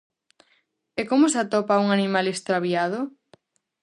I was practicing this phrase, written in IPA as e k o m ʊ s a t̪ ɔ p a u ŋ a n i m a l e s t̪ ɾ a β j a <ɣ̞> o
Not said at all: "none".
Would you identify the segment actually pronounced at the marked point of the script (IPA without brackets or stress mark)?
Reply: ð̞